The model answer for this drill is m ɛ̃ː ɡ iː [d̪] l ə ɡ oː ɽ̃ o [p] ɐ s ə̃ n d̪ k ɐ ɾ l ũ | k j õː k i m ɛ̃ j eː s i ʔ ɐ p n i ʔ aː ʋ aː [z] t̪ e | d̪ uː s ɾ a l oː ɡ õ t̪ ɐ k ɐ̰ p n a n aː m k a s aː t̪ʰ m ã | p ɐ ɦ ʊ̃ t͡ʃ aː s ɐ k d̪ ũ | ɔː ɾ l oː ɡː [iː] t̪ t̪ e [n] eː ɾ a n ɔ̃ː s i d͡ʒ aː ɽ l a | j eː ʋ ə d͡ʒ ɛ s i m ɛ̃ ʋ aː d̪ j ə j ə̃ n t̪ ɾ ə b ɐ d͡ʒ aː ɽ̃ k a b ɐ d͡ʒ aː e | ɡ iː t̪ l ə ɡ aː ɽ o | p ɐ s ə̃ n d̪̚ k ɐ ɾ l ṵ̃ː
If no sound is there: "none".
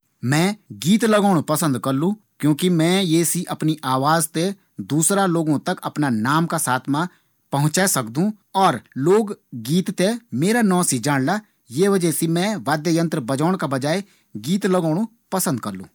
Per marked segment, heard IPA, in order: t̪, p, z, iː, m

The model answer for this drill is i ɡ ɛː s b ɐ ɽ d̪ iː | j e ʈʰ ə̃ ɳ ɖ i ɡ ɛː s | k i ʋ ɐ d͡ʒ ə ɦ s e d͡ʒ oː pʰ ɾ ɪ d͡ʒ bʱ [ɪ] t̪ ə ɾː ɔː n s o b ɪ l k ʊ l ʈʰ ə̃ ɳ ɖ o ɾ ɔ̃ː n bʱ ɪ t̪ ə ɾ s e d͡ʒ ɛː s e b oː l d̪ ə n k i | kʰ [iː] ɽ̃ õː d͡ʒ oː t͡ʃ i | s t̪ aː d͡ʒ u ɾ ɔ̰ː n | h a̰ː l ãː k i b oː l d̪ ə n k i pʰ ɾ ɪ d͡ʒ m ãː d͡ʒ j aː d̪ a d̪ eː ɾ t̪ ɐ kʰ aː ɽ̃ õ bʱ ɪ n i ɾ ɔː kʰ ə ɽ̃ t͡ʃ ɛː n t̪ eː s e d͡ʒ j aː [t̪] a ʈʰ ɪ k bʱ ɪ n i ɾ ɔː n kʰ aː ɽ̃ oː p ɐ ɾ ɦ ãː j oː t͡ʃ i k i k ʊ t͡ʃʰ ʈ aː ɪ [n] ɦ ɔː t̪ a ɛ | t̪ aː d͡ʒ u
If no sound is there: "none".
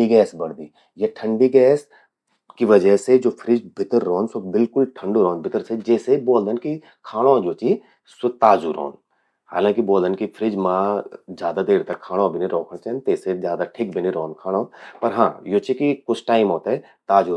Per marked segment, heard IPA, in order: ɪ, aː, d̪, m

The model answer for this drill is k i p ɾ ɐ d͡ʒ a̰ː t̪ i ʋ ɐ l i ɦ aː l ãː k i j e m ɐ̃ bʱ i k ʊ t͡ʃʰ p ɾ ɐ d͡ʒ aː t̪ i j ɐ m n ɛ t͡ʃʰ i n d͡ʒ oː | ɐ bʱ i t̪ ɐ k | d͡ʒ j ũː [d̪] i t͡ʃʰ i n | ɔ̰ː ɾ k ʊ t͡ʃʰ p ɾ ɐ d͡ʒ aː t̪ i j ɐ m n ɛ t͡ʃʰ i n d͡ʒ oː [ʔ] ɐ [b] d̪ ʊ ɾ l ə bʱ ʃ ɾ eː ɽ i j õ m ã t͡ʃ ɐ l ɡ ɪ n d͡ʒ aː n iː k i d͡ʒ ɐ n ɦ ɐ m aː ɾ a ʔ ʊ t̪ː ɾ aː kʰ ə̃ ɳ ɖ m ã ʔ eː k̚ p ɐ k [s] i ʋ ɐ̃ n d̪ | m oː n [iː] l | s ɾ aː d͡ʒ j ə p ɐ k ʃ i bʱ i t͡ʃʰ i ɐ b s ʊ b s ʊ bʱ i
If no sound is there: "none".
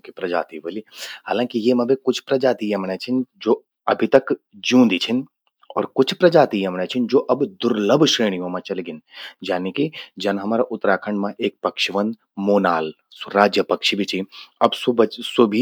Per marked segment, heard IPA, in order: d̪, ʔ, b, ʃ, aː

